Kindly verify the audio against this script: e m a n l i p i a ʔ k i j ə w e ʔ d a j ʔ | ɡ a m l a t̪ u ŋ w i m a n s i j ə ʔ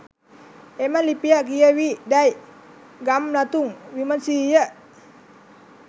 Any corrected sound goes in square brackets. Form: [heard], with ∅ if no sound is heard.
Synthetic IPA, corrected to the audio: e m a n l i p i a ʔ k i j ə w [i] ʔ d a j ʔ | ɡ a m l a t̪ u ŋ w i m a n s i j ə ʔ